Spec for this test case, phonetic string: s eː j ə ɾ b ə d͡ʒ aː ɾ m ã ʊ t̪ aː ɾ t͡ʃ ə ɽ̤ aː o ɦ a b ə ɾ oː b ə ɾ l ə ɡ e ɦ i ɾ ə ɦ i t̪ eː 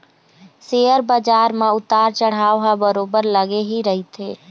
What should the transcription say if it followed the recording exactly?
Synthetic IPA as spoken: s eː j ə ɾ b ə d͡ʒ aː ɾ m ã ʊ t̪ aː ɾ t͡ʃ ə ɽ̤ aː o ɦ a b ə ɾ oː b ə ɾ l ə ɡ e ɦ i ɾ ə ɦ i t̪ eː